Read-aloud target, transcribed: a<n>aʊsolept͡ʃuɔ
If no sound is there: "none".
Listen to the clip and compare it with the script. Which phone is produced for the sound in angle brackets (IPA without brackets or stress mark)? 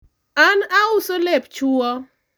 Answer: n